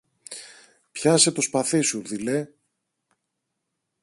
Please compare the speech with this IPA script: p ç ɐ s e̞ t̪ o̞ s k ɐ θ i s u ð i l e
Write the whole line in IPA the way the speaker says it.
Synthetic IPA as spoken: p ç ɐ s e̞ t̪ o̞ s p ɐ θ i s u ð i l e